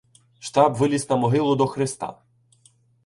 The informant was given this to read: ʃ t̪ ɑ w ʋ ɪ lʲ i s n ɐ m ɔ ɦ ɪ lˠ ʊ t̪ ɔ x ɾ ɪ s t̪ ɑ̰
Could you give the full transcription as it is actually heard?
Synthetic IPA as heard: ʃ t̪ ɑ b ʋ ɪ lʲ i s n ɐ m ɔ ɦ ɪ lˠ ʊ d̪ ɔ x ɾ ɪ s t̪ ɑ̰